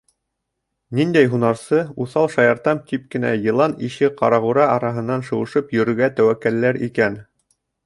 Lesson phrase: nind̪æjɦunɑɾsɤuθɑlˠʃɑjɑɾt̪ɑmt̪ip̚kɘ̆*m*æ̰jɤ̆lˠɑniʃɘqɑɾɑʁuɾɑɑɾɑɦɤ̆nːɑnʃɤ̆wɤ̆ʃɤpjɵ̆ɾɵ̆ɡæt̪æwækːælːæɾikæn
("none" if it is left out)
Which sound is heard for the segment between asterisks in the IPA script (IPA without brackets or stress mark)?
n